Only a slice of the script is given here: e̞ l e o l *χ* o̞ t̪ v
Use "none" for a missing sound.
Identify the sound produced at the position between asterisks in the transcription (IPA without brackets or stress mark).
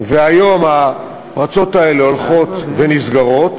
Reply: χ